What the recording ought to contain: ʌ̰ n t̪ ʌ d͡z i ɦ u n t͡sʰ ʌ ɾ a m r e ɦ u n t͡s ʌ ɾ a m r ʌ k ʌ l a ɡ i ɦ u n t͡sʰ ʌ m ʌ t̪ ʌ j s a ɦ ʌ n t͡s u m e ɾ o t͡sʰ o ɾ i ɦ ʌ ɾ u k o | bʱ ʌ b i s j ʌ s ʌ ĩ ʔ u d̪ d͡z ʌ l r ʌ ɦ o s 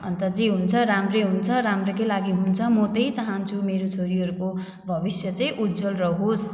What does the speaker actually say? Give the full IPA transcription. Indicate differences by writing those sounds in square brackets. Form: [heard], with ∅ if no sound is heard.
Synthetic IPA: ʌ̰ n t̪ ʌ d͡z i ɦ u n t͡sʰ ʌ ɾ a m r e ɦ u n [t͡sʰ] ʌ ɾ a m r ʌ k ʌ l a ɡ i ɦ u n t͡sʰ ʌ m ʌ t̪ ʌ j [t͡s] a ɦ ʌ n [t͡sʰ] u m e ɾ o t͡sʰ o ɾ i ɦ ʌ ɾ u k o | bʱ ʌ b i s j ʌ [t͡s] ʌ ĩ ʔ u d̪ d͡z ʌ l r ʌ ɦ o s